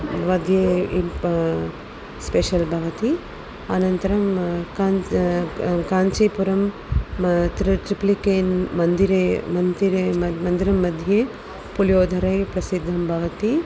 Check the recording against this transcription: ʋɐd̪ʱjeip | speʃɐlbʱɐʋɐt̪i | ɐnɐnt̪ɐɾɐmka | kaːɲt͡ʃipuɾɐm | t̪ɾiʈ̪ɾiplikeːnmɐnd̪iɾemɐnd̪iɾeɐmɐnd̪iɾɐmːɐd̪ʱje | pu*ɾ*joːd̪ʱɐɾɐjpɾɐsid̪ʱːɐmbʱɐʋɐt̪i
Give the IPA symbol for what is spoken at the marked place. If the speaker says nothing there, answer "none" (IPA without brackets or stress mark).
l